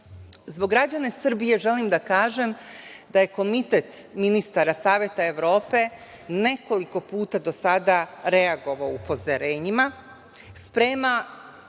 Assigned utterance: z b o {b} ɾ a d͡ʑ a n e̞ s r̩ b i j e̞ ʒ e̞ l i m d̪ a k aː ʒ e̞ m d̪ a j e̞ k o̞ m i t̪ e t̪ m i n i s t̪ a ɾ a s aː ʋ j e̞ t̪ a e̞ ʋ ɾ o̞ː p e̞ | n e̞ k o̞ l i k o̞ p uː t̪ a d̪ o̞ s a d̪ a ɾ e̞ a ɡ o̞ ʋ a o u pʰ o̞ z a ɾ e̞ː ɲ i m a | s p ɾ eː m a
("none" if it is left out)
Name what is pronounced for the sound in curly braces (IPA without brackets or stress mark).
ɡ